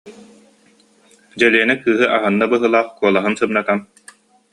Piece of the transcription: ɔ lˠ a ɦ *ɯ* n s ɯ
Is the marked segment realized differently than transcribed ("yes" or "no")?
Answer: no